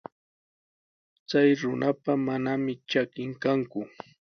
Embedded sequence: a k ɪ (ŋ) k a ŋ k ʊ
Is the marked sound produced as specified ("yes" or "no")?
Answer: yes